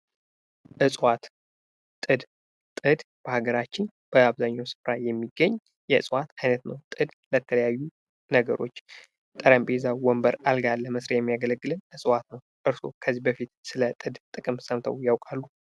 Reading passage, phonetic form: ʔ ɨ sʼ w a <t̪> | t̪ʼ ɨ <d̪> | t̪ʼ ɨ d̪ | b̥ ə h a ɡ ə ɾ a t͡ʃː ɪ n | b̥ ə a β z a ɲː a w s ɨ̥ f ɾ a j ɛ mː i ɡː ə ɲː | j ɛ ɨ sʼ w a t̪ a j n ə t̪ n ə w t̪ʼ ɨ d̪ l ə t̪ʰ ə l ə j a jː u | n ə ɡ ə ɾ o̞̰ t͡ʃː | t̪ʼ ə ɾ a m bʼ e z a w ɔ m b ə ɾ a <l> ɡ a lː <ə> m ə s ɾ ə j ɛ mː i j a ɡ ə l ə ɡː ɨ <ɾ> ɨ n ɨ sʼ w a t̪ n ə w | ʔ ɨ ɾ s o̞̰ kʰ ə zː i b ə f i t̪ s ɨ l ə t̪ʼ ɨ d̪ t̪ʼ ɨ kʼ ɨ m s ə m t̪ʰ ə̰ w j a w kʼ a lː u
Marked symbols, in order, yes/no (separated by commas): yes, yes, yes, yes, no